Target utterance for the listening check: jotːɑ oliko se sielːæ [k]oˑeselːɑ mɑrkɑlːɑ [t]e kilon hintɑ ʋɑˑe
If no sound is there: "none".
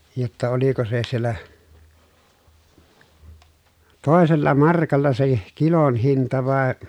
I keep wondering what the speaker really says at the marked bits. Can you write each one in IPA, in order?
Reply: t, s

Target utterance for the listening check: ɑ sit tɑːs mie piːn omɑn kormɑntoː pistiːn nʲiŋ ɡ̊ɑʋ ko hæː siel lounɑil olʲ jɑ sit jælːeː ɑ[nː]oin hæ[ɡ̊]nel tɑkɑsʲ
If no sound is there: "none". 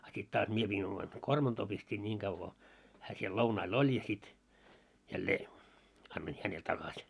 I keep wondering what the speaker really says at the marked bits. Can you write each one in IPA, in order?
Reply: nː, none

